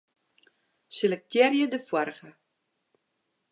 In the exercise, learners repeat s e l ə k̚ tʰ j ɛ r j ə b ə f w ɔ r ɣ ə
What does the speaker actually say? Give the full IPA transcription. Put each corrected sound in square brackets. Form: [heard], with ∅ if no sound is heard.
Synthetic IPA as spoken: s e l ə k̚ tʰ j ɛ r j ə [d] ə f w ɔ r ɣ ə